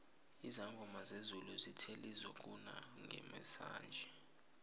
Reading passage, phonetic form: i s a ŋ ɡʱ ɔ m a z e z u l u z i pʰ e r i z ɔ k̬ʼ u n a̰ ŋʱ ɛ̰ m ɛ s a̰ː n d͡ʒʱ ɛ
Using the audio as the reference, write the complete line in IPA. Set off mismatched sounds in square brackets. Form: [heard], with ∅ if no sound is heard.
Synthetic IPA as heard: i [z] a ŋ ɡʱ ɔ m a z e z u l u z i [tʰ] e [l] i z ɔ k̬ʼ u n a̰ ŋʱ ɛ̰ m ɛ s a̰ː n d͡ʒʱ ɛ